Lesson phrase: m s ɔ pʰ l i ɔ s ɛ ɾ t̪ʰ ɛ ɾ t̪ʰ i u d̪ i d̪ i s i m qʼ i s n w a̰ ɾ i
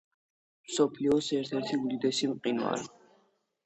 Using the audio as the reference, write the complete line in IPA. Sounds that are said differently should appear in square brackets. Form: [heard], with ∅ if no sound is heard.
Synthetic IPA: m s ɔ pʰ l i ɔ s ɛ ɾ t̪ʰ ɛ ɾ t̪ʰ i u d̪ i d̪ [ɛ] s i m qʼ i [∅] n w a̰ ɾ i